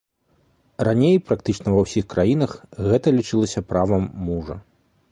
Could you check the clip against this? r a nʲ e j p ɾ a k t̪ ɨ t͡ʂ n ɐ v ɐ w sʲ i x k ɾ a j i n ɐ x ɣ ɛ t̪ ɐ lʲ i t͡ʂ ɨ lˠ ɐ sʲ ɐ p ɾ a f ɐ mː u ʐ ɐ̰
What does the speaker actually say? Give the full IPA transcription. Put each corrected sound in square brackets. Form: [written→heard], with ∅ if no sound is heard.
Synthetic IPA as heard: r a nʲ e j p ɾ a k t̪ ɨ t͡ʂ n ɐ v ɐ w sʲ i x k ɾ a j i n ɐ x ɣ ɛ t̪ ɐ lʲ i t͡ʂ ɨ lˠ ɐ sʲ ɐ p ɾ a [f→v] ɐ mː u ʐ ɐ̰